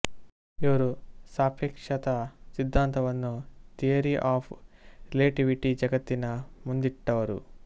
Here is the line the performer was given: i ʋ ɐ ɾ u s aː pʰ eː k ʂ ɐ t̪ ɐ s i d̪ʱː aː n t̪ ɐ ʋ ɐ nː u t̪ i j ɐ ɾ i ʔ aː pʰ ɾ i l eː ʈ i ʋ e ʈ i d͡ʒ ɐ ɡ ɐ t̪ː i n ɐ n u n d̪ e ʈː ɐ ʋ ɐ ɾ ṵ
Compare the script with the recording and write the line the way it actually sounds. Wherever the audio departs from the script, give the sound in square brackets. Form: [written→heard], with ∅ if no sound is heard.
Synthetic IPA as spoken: i ʋ ɐ ɾ u s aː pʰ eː k ʂ ɐ t̪ ɐ s i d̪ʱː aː n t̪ ɐ ʋ ɐ nː u t̪ i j ɐ ɾ i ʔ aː pʰ ɾ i l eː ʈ i ʋ [e→i] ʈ i d͡ʒ ɐ ɡ ɐ t̪ː i n ɐ [n→m] u n d̪ [e→i] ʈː ɐ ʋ ɐ ɾ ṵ